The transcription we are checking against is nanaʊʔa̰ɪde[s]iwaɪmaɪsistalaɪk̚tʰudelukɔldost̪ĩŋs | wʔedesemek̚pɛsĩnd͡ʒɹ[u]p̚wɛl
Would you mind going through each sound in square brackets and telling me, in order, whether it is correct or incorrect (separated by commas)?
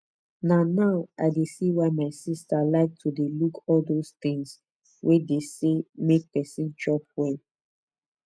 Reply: correct, incorrect